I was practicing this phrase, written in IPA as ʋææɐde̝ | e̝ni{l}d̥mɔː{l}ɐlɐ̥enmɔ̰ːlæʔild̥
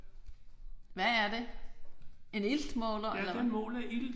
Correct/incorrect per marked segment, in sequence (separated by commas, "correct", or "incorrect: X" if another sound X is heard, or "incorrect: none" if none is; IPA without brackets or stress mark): correct, correct